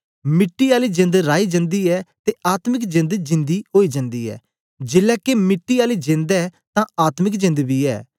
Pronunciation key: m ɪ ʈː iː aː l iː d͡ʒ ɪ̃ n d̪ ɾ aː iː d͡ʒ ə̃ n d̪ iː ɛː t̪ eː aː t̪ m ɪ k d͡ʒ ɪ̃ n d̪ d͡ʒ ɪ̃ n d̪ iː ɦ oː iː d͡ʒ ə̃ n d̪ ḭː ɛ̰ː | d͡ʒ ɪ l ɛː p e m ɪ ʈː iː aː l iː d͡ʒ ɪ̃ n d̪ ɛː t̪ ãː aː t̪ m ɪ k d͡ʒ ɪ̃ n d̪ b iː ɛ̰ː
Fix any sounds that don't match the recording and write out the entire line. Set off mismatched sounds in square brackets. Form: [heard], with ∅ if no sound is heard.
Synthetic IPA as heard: m ɪ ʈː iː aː l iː d͡ʒ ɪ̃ n d̪ ɾ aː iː d͡ʒ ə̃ n d̪ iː ɛː t̪ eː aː t̪ m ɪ k d͡ʒ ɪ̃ n d̪ d͡ʒ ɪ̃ n d̪ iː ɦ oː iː d͡ʒ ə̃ n d̪ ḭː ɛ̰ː | d͡ʒ ɪ l ɛː [k] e m ɪ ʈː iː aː l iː d͡ʒ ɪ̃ n d̪ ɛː t̪ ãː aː t̪ m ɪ k d͡ʒ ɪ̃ n d̪ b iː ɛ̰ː